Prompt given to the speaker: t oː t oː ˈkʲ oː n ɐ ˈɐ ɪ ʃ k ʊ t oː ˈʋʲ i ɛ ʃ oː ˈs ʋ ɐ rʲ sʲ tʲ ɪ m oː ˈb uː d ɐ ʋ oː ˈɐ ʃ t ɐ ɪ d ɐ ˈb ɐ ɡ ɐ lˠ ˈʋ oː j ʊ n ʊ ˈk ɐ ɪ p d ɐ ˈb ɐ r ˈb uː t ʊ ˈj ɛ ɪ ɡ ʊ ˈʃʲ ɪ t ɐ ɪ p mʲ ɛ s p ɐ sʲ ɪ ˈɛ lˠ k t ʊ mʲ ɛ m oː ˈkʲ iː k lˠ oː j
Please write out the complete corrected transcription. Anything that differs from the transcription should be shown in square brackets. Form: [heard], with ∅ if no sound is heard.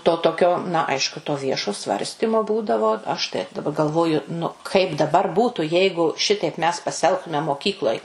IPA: t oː t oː ˈkʲ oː n ɐ ˈɐ ɪ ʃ k ʊ t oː ˈʋʲ i ɛ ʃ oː ˈs ʋ ɐ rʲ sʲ tʲ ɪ m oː ˈb uː d ɐ ʋ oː ˈɐ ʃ t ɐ ɪ d ɐ ˈb ɐ ɡ ɐ lˠ ˈʋ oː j ʊ n ʊ ˈk ɐ ɪ p d ɐ ˈb ɐ r ˈb uː t ʊ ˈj ɛ ɪ ɡ ʊ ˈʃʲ ɪ t ɐ ɪ p mʲ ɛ s p ɐ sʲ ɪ ˈɛ lˠ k t ʊ mʲ ɛ m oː ˈkʲ iː k lˠ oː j